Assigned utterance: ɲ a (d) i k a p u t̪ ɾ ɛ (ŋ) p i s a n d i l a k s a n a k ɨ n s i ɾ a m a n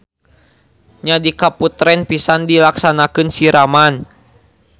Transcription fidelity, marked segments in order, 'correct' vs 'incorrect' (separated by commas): correct, incorrect